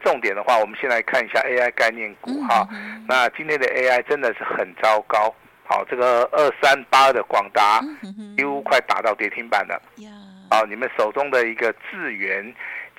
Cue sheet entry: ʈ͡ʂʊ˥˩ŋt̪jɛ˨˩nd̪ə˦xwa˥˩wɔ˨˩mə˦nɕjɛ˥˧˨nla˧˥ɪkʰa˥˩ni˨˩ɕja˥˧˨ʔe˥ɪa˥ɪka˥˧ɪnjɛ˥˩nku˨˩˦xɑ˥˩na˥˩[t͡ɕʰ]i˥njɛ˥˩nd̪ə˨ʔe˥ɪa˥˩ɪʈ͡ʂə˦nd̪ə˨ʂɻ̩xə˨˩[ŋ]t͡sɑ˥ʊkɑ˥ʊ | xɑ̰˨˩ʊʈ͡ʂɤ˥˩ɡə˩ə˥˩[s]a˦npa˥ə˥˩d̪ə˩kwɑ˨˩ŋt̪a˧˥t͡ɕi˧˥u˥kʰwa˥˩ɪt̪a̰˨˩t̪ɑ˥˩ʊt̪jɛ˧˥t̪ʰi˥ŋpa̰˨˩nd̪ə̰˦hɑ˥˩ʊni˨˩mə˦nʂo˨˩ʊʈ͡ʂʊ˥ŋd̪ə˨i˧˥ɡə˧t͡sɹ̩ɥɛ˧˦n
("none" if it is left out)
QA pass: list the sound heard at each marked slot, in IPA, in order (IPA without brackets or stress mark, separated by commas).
t͡ɕ, n, s